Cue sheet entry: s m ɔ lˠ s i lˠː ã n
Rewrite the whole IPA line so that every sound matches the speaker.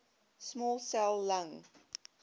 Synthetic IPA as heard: s m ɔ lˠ s ɛ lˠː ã ŋ